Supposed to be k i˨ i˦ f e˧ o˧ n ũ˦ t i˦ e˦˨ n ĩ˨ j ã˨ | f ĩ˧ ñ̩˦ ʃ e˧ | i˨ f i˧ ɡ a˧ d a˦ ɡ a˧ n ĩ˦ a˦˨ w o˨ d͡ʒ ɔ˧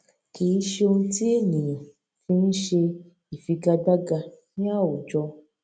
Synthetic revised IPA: k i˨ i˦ ʃ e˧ o˧ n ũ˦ t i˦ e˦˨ n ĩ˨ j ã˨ | f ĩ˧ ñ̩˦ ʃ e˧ | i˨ f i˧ ɡ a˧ d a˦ ɡ a˧ n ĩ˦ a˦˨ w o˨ d͡ʒ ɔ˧